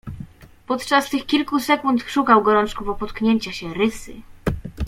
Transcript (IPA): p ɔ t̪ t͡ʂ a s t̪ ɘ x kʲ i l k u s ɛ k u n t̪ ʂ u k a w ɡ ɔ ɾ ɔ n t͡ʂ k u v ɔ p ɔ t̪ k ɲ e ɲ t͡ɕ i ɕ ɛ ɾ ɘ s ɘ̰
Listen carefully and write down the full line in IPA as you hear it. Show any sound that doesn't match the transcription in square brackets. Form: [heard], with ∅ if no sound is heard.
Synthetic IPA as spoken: p ɔ t̪ t͡ʂ a s t̪ ɘ x kʲ i l k u s ɛ k u n t̪ ʂ u k a w ɡ ɔ ɾ ɔ n t͡ʂ k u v ɔ p ɔ t̪ k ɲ e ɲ t͡ɕ [a] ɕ ɛ ɾ ɘ s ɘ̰